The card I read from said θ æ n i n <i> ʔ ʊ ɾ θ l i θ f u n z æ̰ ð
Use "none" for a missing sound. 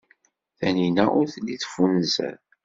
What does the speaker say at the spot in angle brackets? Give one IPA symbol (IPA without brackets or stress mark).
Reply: æ